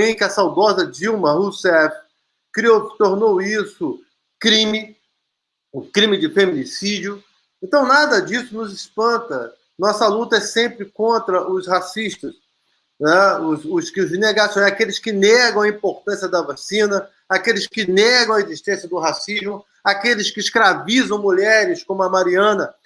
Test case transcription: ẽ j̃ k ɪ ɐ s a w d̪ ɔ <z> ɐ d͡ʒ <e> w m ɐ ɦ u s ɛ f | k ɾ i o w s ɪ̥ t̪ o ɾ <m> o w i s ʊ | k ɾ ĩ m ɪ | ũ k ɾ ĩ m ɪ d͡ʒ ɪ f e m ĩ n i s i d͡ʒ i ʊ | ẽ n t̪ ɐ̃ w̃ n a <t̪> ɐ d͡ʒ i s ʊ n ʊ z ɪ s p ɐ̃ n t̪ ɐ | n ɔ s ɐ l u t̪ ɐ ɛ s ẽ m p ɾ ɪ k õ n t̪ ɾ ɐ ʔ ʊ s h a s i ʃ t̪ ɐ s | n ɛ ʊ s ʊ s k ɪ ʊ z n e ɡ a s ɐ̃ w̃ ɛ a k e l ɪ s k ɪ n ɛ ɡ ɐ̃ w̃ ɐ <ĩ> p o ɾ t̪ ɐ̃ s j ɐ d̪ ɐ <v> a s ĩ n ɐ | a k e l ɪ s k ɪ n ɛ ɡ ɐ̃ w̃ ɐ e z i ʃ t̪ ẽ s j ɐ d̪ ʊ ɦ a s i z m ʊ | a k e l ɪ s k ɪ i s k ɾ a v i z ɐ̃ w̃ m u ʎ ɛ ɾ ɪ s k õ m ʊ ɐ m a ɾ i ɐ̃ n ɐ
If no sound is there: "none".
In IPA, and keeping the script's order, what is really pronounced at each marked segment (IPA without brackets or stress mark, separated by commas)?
z, i, n, d̪, ĩ, v